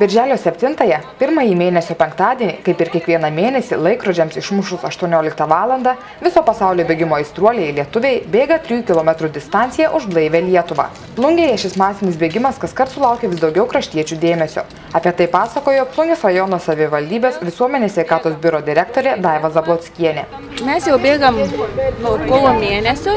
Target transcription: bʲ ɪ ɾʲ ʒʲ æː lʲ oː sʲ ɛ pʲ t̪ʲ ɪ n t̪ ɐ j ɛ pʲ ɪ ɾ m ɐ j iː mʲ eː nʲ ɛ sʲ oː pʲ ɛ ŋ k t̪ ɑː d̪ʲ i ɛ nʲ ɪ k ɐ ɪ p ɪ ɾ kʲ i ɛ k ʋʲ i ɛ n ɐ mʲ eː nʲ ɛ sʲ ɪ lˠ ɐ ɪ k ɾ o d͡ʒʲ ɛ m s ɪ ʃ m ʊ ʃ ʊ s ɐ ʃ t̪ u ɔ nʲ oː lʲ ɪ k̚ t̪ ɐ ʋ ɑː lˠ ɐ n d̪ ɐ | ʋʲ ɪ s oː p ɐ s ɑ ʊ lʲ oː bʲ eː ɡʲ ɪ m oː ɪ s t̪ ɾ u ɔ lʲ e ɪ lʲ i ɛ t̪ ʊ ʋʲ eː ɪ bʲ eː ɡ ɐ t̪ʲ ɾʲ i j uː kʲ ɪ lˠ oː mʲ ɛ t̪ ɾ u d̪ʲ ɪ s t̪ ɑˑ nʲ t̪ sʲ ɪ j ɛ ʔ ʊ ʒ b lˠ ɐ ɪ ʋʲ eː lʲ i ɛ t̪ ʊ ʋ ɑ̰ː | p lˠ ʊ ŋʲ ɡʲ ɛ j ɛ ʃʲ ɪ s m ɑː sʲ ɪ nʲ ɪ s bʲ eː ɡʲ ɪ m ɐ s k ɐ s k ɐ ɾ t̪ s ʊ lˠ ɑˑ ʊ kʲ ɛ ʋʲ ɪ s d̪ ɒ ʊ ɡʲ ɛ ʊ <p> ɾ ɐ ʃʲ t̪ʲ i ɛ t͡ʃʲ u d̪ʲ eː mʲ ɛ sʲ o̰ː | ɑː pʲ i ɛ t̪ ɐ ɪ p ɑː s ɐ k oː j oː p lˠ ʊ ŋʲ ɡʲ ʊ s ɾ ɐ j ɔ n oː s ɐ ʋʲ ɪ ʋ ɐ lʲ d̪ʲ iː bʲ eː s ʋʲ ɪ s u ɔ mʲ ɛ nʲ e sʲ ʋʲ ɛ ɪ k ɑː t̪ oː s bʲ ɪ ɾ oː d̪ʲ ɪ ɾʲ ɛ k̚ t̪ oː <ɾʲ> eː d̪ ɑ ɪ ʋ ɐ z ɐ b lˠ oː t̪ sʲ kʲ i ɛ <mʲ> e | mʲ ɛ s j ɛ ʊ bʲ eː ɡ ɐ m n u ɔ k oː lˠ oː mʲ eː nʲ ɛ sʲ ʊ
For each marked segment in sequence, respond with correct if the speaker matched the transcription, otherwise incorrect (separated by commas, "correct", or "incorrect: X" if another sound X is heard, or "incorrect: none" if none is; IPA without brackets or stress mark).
incorrect: k, correct, incorrect: nʲ